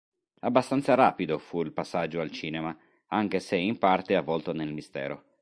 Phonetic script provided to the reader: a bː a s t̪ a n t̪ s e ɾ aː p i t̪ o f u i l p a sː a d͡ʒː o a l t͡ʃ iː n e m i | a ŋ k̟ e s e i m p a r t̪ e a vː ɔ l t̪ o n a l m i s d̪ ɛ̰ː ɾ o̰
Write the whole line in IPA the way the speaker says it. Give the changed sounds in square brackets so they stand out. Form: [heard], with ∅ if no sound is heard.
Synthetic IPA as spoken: a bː a s t̪ a n t̪ s [a] ɾ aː p i [d̪] o f u i l p a sː a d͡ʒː o a l t͡ʃ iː n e m [a] | a ŋ k̟ e s e i m p a r t̪ e a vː ɔ l t̪ o n [e] l m i s [t̪] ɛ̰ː ɾ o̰